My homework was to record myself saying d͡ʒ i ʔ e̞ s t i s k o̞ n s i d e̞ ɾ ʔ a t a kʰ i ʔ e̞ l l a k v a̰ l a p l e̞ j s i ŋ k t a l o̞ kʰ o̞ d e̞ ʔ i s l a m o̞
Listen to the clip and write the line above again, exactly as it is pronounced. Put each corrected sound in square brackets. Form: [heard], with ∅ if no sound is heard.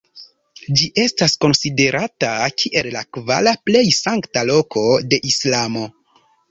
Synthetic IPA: d͡ʒ i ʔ e̞ s t [a] s k o̞ n s i d e̞ ɾ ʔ a t a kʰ i ʔ e̞ l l a k v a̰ l a p l e̞ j s [a] ŋ k t a l o̞ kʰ o̞ d e̞ ʔ i s l a m o̞